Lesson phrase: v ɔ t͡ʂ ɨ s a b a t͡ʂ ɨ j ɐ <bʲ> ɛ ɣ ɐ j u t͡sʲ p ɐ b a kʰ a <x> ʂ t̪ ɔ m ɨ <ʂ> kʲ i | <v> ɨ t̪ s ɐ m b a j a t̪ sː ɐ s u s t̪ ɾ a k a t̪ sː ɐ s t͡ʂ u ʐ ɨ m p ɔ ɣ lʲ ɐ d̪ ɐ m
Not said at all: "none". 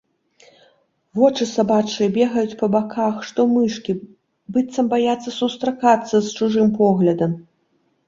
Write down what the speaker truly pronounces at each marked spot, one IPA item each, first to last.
bʲ, x, ʂ, b

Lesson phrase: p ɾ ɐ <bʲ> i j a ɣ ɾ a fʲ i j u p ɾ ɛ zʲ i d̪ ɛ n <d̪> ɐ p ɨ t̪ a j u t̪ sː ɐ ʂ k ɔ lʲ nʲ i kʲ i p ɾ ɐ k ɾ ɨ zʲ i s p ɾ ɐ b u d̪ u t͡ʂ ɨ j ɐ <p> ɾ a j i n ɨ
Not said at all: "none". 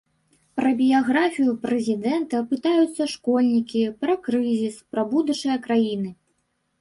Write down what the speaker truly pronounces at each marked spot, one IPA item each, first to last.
bʲ, t̪, k

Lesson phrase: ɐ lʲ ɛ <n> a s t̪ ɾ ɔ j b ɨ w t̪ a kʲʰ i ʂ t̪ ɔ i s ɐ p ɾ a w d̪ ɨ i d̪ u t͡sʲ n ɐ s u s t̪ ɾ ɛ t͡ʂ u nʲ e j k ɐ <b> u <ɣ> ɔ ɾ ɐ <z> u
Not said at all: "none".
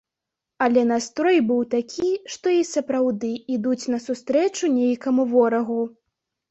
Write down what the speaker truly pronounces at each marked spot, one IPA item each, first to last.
n, m, v, ɣ

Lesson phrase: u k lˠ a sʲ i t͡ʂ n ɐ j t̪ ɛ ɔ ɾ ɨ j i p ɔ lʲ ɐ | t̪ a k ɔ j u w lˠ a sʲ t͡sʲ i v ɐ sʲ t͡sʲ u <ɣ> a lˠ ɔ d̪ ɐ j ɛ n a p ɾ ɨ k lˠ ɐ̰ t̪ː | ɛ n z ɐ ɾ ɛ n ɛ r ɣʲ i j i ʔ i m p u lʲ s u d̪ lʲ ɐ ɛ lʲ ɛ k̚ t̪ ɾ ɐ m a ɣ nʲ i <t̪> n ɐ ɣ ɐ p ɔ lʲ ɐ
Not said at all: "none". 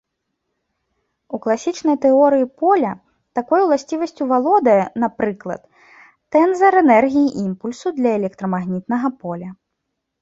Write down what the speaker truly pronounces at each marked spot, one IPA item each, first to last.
v, t̪

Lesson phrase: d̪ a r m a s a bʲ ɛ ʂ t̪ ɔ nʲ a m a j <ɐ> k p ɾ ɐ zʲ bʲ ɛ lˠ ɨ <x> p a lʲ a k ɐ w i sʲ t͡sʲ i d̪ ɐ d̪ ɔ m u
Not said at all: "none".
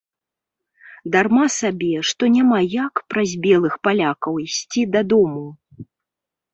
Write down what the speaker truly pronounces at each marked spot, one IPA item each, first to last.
a, x

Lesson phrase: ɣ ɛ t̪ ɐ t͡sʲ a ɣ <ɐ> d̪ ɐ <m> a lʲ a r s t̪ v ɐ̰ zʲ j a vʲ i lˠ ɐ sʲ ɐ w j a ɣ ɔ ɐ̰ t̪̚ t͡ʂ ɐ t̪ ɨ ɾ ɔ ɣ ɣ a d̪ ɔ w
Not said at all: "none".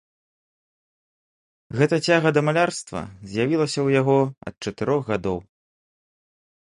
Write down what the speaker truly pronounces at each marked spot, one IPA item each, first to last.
ɐ, m

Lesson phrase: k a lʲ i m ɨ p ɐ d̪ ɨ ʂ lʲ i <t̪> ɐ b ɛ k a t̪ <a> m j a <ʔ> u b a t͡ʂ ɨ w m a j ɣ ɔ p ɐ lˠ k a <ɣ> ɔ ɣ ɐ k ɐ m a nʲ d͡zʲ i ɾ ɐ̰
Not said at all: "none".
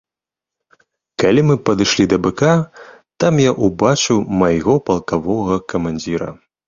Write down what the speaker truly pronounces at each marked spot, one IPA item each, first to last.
d̪, a, ʔ, v

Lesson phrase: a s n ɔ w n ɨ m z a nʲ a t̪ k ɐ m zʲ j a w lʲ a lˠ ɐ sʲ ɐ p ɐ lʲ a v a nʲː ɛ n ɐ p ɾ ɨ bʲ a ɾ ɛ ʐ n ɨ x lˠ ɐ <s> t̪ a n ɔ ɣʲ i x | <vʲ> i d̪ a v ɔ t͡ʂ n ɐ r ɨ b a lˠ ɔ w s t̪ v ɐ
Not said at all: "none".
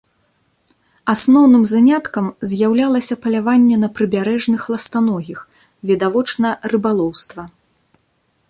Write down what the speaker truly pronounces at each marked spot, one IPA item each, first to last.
s, vʲ

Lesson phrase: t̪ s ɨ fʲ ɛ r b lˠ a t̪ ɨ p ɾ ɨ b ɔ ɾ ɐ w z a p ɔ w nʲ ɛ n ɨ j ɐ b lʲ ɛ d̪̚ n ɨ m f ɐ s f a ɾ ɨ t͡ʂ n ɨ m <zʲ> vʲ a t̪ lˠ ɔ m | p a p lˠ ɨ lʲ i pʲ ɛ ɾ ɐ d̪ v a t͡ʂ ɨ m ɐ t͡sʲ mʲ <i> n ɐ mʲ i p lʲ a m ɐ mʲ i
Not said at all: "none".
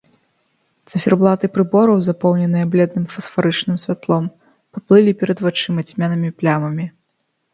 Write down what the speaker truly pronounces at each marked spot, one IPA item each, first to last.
sʲ, a

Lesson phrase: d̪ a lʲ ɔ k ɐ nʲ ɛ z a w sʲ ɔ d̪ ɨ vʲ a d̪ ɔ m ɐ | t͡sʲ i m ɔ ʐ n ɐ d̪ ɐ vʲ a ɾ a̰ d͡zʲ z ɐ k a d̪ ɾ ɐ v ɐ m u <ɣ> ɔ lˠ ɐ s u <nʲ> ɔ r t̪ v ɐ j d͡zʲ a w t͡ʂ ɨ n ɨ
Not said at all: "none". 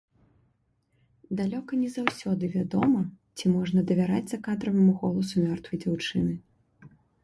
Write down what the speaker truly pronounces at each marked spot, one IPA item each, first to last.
ɣ, mʲ

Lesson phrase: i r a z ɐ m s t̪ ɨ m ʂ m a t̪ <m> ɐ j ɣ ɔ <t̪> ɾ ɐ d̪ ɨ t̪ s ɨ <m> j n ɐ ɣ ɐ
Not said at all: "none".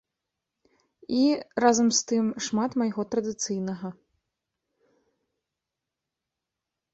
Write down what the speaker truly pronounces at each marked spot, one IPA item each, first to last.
m, t̪, none

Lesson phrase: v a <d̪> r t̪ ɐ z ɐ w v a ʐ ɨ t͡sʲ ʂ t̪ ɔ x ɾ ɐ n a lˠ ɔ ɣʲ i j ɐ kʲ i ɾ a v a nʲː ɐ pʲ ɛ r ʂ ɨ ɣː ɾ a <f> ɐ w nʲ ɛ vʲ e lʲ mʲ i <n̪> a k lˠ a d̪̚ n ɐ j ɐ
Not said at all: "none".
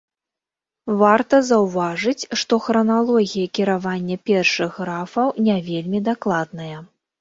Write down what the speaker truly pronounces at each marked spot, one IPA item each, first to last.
none, f, d̪

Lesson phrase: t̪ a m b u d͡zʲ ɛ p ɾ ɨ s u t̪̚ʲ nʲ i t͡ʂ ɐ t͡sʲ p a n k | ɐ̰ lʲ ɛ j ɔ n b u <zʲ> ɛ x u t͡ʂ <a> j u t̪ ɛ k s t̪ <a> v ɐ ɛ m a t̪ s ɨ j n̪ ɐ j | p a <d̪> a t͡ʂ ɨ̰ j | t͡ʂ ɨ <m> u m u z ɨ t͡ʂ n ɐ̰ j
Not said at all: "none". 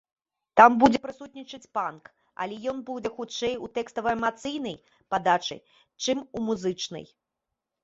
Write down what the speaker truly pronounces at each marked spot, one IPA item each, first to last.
d͡zʲ, ɛ, ɐ, d̪, m

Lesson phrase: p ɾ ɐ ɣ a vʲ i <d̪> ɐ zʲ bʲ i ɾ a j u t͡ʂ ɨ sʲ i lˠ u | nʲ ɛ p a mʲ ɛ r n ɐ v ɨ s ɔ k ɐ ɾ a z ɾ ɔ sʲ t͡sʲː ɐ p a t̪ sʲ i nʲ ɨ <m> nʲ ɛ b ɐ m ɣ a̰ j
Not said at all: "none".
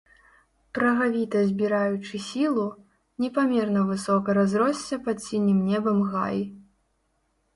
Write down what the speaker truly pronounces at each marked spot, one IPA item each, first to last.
t̪, m

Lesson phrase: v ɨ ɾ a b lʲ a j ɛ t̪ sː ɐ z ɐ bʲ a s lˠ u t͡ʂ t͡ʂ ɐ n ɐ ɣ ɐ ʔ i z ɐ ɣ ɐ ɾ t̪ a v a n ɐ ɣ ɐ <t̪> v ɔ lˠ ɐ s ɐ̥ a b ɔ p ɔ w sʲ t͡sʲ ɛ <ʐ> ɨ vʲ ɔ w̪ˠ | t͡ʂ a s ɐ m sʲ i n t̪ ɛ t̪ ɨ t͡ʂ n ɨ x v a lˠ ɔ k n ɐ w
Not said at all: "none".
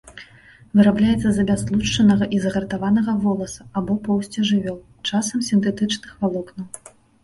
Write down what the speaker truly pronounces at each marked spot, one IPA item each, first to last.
none, ʐ

